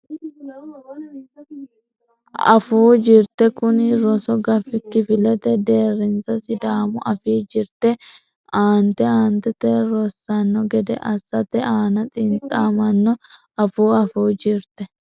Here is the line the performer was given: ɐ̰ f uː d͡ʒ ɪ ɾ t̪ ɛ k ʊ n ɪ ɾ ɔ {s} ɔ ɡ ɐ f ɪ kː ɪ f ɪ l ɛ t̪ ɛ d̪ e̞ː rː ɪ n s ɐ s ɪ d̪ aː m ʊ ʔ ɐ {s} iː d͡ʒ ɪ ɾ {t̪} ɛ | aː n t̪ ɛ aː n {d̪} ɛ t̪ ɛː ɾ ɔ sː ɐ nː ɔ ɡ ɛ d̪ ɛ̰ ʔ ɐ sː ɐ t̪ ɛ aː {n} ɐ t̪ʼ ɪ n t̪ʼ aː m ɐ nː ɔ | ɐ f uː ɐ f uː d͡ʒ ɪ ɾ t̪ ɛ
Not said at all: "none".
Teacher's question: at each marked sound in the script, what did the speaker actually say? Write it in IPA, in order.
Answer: s, f, t̪, t̪, n

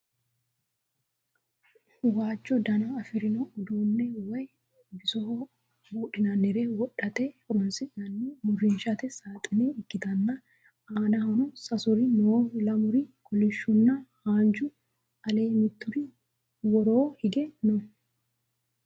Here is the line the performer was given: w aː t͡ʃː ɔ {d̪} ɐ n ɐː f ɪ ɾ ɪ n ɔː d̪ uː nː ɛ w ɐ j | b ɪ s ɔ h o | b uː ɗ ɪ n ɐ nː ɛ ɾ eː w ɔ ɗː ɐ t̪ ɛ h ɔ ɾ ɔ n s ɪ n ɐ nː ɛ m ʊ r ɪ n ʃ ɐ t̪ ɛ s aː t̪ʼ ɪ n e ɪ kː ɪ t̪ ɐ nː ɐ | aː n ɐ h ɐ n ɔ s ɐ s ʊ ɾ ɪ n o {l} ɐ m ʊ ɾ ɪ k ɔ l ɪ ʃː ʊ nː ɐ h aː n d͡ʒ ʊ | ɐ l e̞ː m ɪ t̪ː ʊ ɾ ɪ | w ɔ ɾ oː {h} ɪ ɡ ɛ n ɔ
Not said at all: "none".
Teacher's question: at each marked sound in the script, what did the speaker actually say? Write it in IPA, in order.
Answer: d̪, l, h

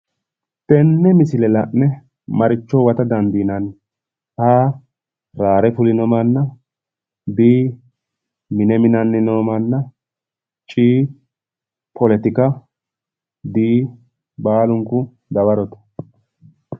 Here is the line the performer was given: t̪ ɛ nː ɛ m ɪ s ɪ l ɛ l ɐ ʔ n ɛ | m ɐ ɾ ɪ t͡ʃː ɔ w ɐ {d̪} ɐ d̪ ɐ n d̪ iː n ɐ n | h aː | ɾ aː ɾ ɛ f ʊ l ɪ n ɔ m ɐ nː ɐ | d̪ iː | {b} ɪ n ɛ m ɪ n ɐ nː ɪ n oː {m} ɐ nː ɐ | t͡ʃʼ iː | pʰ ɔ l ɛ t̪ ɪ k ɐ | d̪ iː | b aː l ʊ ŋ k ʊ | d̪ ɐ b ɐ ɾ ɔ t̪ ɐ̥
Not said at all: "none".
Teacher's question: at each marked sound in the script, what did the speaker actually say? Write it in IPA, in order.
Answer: t̪, m, m

